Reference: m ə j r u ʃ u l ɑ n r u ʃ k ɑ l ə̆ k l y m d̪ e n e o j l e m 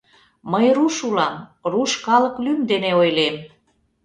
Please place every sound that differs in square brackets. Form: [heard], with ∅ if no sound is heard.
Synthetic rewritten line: m ə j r u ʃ u l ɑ [m] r u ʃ k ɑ l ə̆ k l y m d̪ e n e o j l e m